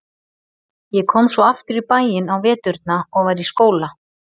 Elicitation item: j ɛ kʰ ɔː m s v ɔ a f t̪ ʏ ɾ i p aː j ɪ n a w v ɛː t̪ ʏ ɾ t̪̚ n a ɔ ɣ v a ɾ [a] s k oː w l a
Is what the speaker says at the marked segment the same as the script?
no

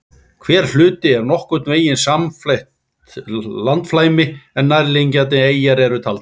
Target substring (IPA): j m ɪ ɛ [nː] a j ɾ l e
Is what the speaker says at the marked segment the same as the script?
yes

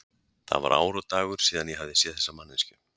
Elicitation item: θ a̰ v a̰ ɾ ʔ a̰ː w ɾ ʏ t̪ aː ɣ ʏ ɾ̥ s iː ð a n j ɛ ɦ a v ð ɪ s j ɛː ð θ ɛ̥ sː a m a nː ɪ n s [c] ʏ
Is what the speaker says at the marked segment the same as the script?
yes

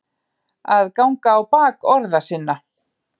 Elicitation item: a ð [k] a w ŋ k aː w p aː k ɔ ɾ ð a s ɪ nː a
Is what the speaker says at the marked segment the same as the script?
yes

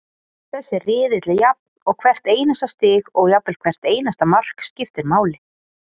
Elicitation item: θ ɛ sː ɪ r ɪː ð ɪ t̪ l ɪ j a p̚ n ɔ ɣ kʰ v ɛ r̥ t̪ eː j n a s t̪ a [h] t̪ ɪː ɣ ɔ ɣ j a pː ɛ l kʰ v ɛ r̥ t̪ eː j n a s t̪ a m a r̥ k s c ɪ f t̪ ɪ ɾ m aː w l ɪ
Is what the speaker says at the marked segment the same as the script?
no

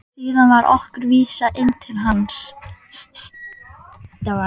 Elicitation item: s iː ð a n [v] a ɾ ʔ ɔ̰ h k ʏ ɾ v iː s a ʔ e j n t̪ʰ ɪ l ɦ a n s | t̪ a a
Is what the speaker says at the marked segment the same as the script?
yes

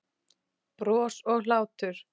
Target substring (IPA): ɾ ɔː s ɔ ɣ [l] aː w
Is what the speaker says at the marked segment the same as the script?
yes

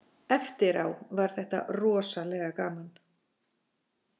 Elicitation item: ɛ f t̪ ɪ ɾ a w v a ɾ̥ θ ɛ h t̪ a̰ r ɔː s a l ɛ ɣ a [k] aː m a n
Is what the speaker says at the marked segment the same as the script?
yes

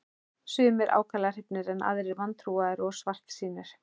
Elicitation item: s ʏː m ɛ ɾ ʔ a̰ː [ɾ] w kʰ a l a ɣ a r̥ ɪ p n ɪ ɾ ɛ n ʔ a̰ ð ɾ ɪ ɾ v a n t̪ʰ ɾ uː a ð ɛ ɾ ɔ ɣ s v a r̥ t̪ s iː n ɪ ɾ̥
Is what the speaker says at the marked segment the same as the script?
no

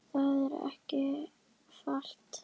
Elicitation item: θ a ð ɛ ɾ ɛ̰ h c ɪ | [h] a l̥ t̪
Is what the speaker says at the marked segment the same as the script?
no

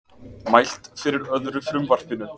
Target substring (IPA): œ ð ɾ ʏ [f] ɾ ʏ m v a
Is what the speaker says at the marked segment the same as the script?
yes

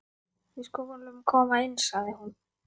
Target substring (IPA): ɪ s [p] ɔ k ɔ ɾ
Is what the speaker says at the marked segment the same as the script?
no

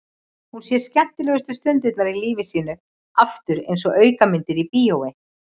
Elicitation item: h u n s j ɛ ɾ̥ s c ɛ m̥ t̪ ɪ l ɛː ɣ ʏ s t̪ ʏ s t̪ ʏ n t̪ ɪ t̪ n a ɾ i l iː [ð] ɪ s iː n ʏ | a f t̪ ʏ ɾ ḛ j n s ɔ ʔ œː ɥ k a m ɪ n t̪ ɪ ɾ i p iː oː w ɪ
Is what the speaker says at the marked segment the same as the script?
no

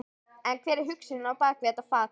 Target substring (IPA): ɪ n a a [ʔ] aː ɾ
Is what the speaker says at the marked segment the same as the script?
no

